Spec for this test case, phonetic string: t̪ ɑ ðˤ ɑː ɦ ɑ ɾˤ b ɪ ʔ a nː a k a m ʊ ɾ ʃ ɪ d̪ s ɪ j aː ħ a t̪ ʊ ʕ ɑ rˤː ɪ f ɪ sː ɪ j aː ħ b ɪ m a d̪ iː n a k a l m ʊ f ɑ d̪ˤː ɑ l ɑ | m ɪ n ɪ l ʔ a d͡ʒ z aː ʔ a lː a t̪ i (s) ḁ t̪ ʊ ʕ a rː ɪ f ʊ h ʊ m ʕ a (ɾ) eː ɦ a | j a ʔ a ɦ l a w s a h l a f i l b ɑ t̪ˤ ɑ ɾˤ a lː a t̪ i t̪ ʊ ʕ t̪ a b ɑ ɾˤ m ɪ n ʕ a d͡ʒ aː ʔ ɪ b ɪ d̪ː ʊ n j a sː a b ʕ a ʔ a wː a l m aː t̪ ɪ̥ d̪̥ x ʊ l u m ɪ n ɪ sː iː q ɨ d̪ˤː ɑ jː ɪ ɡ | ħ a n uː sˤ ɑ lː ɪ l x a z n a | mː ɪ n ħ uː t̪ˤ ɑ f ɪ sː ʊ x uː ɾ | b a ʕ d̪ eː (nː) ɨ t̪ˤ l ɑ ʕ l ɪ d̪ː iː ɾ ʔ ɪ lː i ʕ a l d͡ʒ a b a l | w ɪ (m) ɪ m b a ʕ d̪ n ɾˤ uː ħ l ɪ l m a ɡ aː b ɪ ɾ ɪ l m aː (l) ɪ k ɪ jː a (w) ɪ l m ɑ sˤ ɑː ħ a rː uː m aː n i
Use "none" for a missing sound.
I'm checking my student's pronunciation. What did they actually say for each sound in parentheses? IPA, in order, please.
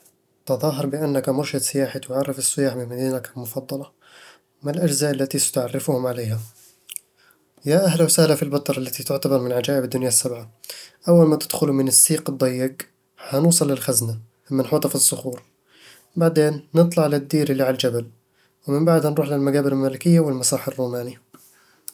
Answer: s, l, nː, m, l, w

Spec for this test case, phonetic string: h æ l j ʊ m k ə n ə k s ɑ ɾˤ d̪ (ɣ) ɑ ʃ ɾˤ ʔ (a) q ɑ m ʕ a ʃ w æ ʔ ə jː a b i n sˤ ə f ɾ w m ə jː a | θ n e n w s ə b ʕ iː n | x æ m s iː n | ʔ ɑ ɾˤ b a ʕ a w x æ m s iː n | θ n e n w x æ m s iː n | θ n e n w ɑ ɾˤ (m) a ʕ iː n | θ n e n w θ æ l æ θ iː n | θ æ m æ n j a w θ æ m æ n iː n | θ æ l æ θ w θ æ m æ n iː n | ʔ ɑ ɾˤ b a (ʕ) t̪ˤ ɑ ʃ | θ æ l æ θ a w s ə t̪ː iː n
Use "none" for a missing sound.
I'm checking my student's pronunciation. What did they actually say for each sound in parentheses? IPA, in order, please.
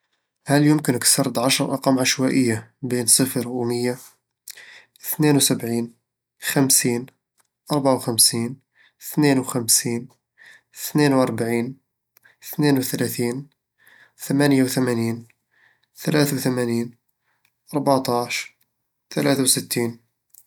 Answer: ʕ, ɑ, b, ʕ

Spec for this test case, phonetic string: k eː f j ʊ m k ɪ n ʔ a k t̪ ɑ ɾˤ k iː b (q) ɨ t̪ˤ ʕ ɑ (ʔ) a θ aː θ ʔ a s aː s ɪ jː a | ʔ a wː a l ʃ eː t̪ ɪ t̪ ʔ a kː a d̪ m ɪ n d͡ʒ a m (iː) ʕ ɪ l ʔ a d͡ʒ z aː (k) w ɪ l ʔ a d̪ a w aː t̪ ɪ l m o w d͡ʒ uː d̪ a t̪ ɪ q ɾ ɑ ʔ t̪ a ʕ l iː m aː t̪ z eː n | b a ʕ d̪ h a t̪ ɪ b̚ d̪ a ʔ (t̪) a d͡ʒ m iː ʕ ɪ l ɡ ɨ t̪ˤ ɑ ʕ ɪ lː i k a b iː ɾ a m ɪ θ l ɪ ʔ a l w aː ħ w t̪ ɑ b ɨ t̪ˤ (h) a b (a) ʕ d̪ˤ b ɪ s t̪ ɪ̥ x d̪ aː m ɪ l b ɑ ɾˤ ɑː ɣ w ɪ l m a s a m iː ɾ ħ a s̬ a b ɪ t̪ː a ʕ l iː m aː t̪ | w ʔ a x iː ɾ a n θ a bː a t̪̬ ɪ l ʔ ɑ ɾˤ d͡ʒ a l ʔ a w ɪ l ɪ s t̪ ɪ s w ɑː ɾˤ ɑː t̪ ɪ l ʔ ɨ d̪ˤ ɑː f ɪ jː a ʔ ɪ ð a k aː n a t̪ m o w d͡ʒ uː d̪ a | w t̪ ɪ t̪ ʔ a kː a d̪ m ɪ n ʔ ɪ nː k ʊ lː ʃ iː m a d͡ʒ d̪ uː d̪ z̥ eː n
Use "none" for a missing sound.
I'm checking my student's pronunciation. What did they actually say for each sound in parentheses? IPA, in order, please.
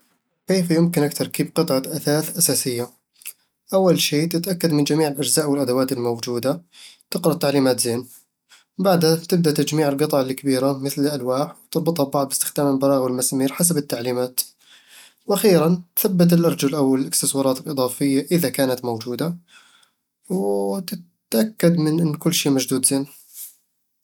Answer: q, ʔ, iː, ʔ, t̪, h, ɑ

